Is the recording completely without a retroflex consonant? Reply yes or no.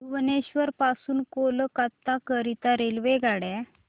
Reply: no